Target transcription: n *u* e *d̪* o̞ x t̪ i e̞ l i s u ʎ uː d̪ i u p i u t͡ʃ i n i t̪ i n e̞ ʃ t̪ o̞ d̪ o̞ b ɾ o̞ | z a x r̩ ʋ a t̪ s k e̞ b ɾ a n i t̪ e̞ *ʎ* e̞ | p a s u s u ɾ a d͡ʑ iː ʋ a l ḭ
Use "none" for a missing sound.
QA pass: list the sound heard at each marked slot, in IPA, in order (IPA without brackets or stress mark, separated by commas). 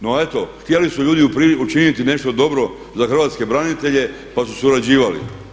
o, t̪, ʎ